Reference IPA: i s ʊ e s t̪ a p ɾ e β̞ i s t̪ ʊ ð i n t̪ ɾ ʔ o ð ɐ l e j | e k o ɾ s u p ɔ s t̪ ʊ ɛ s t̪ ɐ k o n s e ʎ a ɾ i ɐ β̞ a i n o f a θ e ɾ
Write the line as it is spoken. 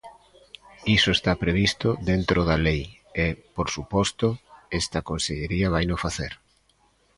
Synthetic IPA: i s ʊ e s t̪ a p ɾ e β̞ i s t̪ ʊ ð e n t̪ ɾ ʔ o ð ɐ l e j | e p o ɾ s u p ɔ s t̪ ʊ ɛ s t̪ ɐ k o n s e ʎ e ɾ i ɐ β̞ a j n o f a θ e ɾ